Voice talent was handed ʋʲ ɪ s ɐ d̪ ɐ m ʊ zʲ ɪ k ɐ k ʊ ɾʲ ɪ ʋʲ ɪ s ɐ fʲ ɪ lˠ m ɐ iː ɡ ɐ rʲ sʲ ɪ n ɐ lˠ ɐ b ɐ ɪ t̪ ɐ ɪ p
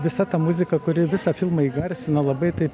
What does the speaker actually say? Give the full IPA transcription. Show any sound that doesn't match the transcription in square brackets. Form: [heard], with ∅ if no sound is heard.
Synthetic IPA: ʋʲ ɪ s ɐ [t̪] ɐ m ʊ zʲ ɪ k ɐ k ʊ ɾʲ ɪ ʋʲ ɪ s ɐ fʲ ɪ lˠ m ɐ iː ɡ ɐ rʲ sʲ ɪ n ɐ lˠ ɐ b ɐ ɪ t̪ ɐ ɪ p